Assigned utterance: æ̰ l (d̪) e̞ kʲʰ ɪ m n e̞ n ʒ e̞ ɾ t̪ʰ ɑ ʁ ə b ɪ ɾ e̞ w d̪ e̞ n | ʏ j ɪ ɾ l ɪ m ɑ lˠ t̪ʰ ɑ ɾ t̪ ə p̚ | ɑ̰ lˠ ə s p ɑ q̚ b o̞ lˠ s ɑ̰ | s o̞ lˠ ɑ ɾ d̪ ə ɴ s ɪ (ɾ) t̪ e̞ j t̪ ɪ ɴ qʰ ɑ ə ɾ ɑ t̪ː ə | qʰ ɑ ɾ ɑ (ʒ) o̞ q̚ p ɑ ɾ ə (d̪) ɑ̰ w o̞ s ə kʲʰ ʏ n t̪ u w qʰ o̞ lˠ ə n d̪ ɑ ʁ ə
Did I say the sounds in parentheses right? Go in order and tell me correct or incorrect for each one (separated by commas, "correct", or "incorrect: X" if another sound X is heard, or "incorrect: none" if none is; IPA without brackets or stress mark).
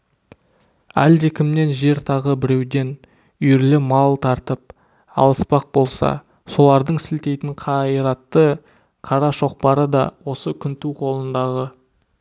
correct, incorrect: l, incorrect: ʃ, correct